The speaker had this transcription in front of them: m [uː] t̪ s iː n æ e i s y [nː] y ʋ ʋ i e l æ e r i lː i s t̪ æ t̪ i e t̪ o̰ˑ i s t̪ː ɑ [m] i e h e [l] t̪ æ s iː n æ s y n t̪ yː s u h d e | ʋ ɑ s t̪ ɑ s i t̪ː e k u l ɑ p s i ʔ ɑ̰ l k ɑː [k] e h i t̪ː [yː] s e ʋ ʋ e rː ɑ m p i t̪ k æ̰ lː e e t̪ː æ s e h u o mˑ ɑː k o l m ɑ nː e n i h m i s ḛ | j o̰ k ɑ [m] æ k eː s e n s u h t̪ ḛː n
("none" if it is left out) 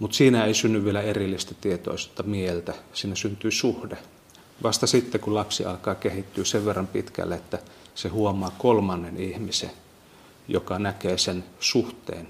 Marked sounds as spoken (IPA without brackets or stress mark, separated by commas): u, nː, m, l, k, yː, n